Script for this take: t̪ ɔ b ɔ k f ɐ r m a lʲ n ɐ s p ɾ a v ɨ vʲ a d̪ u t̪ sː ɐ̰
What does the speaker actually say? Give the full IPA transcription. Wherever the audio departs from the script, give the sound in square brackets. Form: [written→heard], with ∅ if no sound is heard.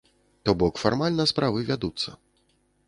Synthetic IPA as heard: t̪ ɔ b ɔ k f [ɐ→a] r m a lʲ n ɐ s p ɾ a v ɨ vʲ a d̪ u t̪ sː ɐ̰